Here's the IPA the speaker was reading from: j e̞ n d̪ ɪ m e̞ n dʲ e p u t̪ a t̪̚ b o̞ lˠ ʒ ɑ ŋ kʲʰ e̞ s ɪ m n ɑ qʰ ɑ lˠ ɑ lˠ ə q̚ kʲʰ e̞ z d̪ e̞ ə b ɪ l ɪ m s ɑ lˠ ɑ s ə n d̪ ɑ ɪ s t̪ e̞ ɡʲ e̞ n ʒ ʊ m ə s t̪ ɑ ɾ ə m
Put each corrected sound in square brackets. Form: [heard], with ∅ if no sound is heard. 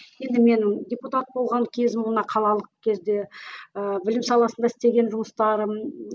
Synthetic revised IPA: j e̞ n d̪ ɪ m e̞ n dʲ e p u t̪ a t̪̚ b o̞ lˠ [ʁ] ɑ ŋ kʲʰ e̞ [z] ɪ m n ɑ qʰ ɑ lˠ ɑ lˠ ə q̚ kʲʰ e̞ z d̪ e̞ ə b ɪ l ɪ m s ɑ lˠ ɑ s ə n d̪ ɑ ɪ s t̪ e̞ ɡʲ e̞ n ʒ ʊ m ə s t̪ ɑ ɾ ə m